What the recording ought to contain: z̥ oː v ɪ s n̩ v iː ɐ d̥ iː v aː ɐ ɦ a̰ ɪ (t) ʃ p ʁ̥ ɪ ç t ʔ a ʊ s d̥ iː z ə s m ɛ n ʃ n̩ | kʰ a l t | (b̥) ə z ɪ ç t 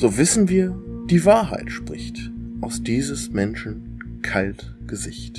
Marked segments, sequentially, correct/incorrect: correct, incorrect: ɡ̥

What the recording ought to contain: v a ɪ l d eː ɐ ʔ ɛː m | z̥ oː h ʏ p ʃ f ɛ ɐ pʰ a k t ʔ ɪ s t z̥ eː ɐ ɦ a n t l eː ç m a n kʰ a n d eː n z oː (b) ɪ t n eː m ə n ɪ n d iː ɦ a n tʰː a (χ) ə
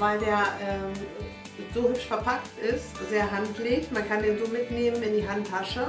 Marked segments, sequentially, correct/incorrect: incorrect: m, incorrect: ʃ

